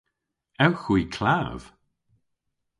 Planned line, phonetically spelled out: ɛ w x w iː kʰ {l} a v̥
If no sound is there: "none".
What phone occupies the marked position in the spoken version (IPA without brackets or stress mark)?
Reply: l